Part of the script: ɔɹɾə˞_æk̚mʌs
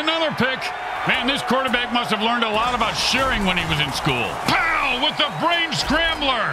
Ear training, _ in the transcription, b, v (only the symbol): b